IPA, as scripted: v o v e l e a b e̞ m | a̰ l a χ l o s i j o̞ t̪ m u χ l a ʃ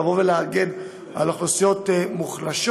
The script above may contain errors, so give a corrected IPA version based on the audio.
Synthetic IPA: v o v e l e a ɡ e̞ n | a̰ l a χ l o s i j o̞ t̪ m u χ l a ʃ